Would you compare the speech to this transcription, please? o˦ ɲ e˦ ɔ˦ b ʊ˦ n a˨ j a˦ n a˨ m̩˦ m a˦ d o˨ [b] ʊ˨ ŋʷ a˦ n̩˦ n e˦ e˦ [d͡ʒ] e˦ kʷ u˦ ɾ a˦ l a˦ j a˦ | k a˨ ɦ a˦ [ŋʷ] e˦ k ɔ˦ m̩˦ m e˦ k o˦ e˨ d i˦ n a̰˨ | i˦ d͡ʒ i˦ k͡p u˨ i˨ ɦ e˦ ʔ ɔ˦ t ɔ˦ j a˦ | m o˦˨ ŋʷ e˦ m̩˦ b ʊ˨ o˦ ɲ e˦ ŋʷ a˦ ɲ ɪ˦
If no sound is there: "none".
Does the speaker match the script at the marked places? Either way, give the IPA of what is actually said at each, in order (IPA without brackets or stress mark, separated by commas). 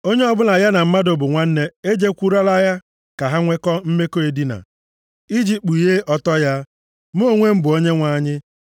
b, d͡ʒ, ŋʷ